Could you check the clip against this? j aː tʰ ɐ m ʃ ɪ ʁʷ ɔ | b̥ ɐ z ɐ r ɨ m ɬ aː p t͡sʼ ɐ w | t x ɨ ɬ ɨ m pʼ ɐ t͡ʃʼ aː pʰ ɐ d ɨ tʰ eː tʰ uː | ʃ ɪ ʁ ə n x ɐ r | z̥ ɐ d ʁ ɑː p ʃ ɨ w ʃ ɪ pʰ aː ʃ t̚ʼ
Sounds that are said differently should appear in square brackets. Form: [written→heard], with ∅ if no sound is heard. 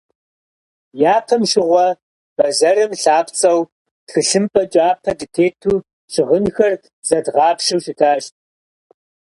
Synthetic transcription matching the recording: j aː [tʰ→pʰ] ɐ m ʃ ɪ ʁʷ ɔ | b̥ ɐ z ɐ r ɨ m ɬ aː p t͡sʼ ɐ w | t x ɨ ɬ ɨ m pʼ ɐ t͡ʃʼ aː pʰ ɐ d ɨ tʰ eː tʰ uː | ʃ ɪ ʁ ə n x ɐ r | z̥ ɐ d ʁ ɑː p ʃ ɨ w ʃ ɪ [pʰ→tʰ] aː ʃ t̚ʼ